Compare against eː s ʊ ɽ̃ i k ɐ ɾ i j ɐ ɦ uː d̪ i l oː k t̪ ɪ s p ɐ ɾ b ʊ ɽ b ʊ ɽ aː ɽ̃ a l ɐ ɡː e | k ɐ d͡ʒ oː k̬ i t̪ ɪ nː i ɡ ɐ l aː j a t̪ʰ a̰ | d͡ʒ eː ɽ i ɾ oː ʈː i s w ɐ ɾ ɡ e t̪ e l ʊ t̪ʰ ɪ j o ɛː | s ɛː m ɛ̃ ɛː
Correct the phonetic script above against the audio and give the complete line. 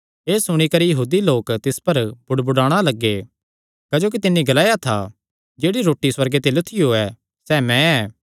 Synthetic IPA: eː s ʊ ɽ̃ i k ɐ ɾ i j ɐ ɦ uː d̪ i l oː k t̪ ɪ s p ɐ ɾ b ʊ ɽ b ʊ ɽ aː ɽ̃ a l ɐ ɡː e | k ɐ d͡ʒ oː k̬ i t̪ ɪ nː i ɡ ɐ l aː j a t̪ʰ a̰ | d͡ʒ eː ɽ i ɾ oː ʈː i s w ɐ ɾ ɡ e t̪ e l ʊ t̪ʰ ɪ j o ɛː | s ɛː m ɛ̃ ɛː